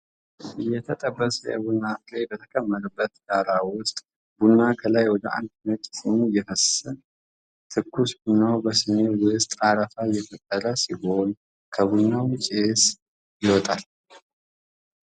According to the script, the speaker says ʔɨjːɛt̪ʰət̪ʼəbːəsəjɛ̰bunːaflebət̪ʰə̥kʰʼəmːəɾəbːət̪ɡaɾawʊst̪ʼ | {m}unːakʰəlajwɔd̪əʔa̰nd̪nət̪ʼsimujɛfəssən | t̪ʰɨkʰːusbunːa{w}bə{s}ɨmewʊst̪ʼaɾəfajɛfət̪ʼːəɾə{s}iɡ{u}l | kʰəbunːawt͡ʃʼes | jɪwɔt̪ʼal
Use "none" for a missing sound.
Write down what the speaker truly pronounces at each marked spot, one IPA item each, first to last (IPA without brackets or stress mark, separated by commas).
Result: b, w, s, s, o